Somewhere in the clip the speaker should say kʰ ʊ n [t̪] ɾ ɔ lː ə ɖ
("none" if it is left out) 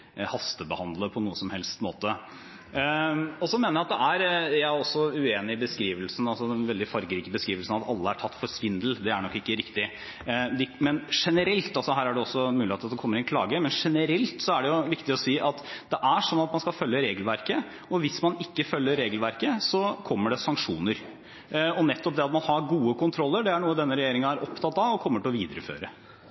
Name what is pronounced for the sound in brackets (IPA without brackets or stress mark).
t̪ʰ